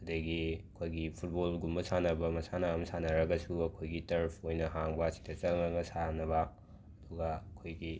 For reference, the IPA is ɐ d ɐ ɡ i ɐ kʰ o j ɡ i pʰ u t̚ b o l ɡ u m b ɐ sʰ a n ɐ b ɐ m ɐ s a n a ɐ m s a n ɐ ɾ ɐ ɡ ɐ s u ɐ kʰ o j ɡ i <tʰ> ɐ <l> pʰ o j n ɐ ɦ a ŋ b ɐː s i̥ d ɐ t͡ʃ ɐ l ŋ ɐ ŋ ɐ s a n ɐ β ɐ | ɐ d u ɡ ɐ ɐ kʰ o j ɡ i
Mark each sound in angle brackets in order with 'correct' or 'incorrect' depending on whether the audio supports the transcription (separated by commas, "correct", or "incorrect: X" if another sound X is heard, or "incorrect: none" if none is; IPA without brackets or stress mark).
incorrect: t, incorrect: ɾ